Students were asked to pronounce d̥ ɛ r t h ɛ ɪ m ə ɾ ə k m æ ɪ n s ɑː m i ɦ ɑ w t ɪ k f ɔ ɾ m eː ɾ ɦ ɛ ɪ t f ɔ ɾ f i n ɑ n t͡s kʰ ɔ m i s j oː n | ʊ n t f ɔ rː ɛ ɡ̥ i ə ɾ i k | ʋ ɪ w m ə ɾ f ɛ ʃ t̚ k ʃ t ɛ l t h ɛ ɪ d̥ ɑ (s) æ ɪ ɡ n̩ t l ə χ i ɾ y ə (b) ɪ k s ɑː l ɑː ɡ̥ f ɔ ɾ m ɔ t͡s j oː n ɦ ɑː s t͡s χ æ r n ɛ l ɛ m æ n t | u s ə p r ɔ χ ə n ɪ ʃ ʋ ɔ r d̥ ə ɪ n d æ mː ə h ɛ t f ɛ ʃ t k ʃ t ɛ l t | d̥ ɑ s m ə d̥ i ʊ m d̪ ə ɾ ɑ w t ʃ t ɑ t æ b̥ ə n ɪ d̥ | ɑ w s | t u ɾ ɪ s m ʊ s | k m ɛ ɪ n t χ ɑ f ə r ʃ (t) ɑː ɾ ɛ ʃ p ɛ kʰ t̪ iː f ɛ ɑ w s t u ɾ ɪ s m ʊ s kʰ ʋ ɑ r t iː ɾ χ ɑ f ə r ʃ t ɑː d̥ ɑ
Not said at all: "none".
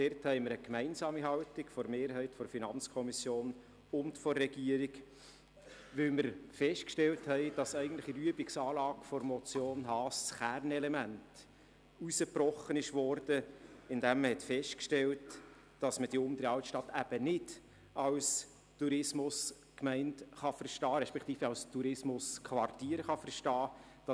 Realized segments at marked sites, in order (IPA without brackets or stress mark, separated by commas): s, b, t